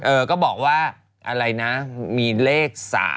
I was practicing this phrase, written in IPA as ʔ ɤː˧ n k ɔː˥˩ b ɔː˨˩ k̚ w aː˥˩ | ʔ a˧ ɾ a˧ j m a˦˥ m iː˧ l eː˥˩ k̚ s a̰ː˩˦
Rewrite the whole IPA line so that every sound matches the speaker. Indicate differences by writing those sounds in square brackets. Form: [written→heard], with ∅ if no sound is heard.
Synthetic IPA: ʔ ɤː˧ [n→∅] k ɔː˥˩ b ɔː˨˩ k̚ w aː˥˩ | ʔ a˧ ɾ a˧ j [m→n] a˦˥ m iː˧ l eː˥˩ k̚ s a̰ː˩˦